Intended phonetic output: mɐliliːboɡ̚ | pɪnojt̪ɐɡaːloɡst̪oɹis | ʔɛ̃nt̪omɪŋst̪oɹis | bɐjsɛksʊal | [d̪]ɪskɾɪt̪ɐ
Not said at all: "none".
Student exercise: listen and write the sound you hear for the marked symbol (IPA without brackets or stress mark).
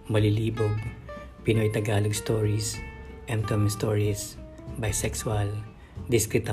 d̪